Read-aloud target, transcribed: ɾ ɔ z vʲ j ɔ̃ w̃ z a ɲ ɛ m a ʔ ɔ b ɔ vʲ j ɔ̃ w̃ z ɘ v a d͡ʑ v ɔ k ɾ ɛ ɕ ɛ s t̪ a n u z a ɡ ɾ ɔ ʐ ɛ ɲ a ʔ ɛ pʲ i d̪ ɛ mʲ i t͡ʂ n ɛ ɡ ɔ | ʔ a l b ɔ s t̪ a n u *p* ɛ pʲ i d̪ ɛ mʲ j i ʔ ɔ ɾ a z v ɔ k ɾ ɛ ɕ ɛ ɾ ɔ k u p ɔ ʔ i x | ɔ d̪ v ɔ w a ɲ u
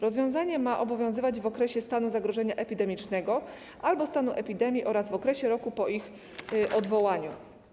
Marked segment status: incorrect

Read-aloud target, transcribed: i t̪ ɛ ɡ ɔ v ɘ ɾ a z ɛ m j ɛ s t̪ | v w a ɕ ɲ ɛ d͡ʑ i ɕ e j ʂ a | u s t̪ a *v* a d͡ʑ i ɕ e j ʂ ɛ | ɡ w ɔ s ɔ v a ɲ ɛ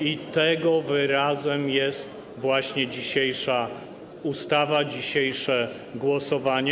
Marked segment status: correct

